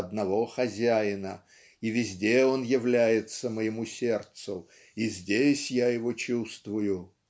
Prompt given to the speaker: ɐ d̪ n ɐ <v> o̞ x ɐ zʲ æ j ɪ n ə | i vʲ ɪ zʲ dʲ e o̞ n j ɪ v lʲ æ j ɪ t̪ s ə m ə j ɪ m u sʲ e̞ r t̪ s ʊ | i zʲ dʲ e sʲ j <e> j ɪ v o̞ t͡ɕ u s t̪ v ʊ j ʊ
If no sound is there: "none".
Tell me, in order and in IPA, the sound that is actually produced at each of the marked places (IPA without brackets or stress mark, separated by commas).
v, a